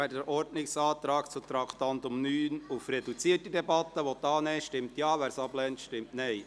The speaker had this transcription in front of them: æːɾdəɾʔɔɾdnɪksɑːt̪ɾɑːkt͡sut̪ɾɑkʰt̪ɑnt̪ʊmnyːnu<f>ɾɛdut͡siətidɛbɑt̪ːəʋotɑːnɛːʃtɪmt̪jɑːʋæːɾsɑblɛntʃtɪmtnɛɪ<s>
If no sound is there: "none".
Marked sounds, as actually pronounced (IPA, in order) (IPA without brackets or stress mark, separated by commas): f, none